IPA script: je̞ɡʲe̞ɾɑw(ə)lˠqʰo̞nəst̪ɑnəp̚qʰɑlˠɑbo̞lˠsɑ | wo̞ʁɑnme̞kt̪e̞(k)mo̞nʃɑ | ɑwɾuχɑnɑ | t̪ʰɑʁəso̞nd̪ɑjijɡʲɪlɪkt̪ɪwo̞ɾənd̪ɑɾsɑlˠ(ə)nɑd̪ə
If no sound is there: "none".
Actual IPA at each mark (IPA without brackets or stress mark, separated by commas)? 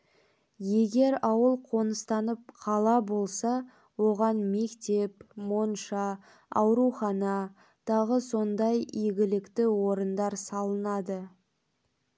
ə, p, ə